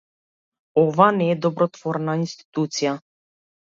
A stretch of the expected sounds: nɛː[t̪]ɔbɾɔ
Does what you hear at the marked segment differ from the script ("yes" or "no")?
yes